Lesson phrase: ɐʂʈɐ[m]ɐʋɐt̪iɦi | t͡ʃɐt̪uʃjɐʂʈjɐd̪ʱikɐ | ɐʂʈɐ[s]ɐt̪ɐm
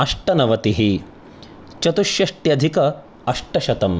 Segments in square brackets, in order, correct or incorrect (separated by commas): incorrect, incorrect